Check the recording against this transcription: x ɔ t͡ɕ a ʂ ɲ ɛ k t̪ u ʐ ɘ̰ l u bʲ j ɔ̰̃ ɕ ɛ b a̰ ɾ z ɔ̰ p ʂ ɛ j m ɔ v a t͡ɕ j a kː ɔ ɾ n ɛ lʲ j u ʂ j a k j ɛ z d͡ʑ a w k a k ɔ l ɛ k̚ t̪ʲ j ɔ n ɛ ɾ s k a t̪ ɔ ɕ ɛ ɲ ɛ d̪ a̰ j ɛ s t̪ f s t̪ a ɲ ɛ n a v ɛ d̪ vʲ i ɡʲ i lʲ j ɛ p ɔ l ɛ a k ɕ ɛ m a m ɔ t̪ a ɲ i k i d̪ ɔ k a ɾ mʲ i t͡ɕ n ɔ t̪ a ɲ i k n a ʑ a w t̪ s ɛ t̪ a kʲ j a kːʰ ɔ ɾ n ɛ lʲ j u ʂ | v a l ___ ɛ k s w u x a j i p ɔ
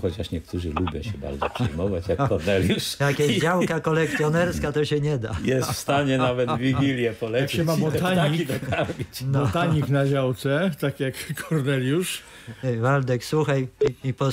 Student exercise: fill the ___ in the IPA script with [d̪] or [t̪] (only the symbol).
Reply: d̪